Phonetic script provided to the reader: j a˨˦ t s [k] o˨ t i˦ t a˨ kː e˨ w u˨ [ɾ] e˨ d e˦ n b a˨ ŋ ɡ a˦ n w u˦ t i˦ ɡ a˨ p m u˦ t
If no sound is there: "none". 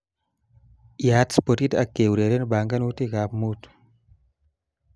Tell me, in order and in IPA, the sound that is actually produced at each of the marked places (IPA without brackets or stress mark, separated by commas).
p, ɾ